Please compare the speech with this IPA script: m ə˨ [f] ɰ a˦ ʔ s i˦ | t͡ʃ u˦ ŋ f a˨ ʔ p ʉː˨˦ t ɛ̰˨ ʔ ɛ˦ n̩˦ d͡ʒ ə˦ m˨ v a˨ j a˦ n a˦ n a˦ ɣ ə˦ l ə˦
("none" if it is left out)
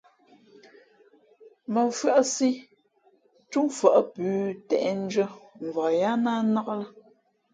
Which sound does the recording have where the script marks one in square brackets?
f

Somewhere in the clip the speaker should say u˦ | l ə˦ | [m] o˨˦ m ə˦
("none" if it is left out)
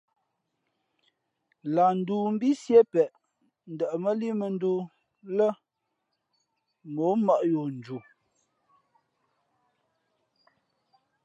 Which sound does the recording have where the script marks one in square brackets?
m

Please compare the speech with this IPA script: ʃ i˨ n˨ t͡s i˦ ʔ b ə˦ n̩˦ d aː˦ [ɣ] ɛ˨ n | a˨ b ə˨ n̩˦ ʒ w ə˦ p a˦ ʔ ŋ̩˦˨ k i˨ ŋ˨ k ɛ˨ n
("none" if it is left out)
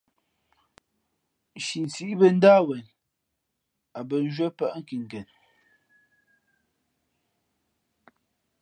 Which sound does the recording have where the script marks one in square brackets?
w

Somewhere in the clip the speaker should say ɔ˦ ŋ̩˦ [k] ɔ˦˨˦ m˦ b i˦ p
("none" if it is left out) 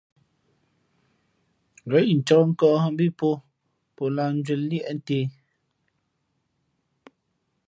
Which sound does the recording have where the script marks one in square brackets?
k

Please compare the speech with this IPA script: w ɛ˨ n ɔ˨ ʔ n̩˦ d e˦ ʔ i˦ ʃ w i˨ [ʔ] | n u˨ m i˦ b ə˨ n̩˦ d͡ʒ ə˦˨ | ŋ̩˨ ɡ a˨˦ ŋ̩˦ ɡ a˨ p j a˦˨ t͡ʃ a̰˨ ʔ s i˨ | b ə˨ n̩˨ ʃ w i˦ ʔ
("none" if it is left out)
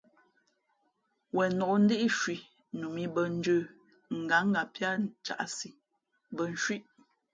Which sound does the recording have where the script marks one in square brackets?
none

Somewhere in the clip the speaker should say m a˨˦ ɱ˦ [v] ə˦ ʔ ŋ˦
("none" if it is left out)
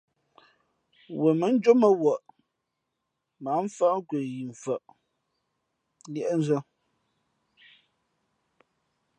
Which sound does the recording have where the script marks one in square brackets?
f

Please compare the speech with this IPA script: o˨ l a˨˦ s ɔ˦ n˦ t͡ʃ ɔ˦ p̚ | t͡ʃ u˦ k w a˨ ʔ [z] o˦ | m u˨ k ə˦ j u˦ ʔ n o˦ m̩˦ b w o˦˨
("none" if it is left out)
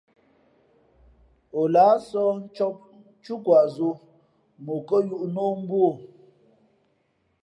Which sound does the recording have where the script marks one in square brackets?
z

